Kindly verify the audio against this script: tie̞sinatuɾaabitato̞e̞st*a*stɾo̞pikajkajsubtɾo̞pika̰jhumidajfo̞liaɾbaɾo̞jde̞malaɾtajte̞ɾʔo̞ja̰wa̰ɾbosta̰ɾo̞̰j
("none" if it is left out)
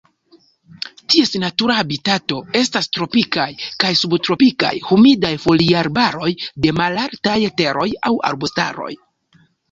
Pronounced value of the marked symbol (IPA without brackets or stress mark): a